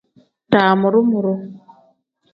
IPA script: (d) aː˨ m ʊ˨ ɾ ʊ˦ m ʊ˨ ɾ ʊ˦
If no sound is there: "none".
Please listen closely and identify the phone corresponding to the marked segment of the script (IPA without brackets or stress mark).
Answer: t